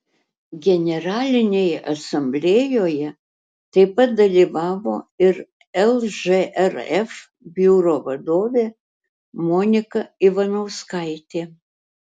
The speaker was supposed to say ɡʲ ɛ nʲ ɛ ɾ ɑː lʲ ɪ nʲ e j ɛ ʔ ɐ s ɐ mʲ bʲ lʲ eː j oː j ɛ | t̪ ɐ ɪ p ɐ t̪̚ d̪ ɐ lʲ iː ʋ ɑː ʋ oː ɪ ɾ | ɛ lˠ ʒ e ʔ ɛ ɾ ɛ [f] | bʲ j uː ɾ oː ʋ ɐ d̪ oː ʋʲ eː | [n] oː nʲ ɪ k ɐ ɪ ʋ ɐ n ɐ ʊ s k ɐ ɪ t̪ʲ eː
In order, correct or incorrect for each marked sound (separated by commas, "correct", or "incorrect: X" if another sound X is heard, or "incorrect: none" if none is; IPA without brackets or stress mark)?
correct, incorrect: m